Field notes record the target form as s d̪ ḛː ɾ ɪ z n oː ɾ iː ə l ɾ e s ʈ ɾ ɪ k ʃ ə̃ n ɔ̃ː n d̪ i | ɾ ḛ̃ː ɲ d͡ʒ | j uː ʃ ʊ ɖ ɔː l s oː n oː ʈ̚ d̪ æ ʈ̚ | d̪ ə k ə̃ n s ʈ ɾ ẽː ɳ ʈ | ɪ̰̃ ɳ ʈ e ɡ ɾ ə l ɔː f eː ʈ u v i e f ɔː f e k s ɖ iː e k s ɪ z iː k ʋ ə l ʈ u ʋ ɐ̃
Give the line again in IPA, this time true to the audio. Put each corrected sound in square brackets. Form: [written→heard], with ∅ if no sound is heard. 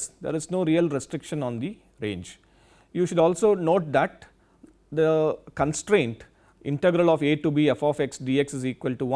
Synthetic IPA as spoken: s d̪ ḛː ɾ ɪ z n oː ɾ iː ə l ɾ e s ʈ ɾ ɪ k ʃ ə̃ n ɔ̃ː n d̪ i | ɾ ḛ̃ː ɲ d͡ʒ | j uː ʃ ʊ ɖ ɔː l s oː n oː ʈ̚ d̪ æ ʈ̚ | d̪ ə k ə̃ n s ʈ ɾ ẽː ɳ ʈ | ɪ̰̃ ɳ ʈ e ɡ ɾ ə l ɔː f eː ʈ u [v→b] i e f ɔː f e k s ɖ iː e k s ɪ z iː k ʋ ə l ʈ u ʋ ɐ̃